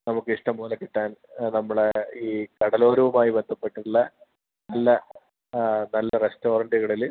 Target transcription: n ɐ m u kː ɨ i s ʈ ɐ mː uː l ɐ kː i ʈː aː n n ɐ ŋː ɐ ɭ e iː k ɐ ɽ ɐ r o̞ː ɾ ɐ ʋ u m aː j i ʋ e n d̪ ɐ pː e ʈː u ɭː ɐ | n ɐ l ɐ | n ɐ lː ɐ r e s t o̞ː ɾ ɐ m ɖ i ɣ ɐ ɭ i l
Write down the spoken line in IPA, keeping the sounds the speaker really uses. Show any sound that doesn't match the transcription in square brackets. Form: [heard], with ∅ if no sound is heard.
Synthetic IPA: n ɐ m u kː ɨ i [ʂ] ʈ ɐ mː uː l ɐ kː i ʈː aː n n ɐ [mː] ɐ ɭ e iː k ɐ ɽ ɐ [l] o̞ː ɾ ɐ ʋ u m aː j i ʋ e n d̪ ɐ pː e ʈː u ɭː ɐ | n ɐ [lː] ɐ | n ɐ lː ɐ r e s t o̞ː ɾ ɐ [ɳ] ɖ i ɣ ɐ ɭ i l